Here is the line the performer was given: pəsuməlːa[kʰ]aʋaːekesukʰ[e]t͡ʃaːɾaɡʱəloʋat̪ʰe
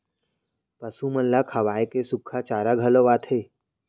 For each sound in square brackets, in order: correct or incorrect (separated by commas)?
correct, incorrect